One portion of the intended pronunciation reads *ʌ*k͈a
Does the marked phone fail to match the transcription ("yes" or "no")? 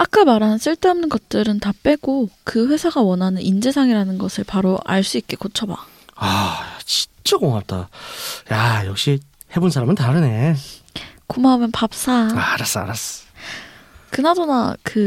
yes